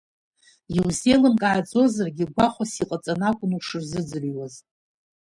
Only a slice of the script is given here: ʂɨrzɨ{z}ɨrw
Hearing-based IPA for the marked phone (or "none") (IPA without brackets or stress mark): d͡z